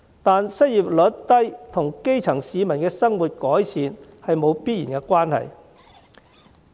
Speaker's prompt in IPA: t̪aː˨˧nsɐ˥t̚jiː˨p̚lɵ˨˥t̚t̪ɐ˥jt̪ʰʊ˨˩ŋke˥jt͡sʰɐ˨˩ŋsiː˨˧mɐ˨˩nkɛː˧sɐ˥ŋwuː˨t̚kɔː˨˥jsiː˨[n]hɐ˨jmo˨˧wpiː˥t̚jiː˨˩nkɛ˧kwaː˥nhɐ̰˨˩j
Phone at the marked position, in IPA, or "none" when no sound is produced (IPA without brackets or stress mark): n